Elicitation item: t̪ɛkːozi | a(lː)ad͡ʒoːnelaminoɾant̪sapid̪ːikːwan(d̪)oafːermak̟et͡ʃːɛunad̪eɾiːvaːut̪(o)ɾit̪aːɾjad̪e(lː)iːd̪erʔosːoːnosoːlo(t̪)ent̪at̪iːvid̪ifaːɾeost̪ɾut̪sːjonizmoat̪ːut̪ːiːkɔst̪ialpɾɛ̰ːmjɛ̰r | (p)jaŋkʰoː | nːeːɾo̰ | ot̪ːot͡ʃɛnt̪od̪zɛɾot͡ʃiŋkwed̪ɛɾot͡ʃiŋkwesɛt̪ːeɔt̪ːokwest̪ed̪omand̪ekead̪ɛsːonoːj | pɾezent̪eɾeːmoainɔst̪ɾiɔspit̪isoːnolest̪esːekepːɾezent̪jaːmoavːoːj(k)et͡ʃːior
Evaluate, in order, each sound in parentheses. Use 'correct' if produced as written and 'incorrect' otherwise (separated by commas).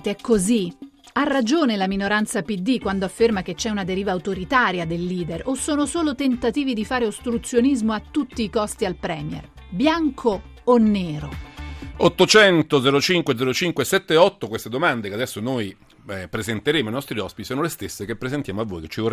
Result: incorrect, correct, correct, correct, correct, incorrect, correct